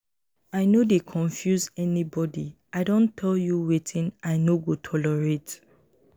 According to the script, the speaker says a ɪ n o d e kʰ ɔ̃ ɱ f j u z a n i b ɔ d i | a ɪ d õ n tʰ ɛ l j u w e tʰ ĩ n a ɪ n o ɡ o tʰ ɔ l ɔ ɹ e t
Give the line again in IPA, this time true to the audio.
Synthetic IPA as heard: a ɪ n o d e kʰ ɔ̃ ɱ f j u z ɛ n i b ɔ d i | a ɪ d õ n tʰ ɛ l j u w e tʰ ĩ n a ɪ n o ɡ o tʰ ɔ l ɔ ɹ e t